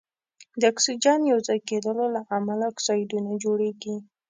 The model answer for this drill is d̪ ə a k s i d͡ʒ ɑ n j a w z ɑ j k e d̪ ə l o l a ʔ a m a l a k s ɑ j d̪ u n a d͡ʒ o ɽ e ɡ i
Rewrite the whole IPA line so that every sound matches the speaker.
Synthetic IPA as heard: d̪ ə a k s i d͡ʒ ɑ n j a w z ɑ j k e d̪ ə l o l a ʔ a m a l a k s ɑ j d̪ u n a d͡ʒ o ɽ e ɡ i